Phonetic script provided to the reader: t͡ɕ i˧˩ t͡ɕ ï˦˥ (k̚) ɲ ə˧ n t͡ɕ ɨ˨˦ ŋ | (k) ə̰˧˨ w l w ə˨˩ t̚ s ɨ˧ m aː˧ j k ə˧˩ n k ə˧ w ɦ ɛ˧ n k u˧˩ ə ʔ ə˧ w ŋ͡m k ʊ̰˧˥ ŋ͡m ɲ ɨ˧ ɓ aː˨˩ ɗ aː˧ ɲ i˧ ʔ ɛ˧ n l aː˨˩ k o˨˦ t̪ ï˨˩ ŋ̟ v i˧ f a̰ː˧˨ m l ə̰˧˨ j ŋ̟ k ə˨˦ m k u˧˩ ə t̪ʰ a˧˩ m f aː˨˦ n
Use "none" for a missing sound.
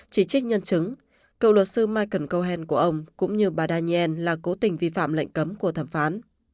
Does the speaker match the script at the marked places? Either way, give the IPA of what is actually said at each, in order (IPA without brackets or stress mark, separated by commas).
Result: k̚, k